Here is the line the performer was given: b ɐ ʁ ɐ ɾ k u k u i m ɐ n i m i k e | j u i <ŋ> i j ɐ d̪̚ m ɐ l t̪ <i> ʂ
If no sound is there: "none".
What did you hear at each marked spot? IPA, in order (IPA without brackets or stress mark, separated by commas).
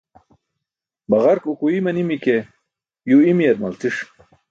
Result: m, i